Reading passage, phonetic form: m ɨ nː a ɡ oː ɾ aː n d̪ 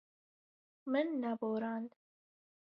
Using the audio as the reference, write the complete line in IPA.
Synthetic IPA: m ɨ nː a b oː ɾ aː n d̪